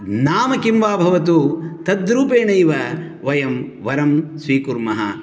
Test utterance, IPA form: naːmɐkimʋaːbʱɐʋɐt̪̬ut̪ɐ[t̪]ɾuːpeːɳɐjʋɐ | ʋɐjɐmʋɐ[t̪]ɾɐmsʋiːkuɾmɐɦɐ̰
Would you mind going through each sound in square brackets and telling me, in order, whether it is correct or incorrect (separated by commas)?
incorrect, incorrect